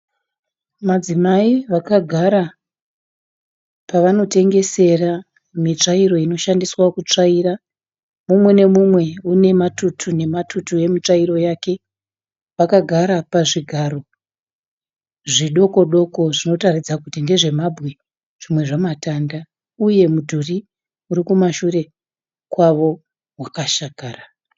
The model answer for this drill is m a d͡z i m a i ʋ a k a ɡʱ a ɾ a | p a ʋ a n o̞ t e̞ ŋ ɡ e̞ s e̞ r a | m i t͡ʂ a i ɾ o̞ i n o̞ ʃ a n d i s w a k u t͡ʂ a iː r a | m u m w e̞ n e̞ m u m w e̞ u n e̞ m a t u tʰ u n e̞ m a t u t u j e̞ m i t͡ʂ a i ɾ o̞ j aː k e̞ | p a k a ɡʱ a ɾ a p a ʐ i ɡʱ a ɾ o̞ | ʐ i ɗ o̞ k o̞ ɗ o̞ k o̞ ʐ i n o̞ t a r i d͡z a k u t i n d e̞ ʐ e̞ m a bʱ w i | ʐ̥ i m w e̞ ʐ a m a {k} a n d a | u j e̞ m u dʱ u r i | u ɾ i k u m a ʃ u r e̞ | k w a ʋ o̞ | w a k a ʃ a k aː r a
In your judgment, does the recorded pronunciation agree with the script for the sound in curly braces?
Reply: no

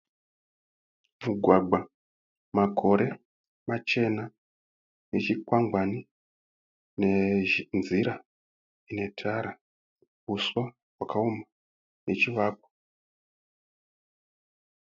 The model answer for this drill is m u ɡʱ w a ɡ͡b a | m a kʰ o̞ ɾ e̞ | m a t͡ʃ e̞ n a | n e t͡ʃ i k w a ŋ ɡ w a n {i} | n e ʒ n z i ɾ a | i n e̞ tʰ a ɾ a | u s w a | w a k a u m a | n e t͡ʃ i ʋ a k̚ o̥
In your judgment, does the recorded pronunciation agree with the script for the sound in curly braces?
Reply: yes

